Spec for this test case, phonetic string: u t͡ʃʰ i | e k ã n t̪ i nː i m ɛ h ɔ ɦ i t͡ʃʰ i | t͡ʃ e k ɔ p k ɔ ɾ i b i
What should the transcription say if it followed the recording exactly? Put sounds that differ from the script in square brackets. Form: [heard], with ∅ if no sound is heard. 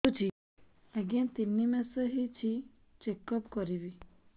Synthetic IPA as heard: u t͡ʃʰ i | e [ɡ] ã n t̪ i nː i m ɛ [s] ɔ ɦ i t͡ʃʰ i | t͡ʃ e k ɔ p k ɔ ɾ i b i